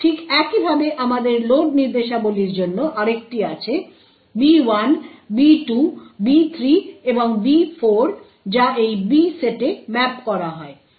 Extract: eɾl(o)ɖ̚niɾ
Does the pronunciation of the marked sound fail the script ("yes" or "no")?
no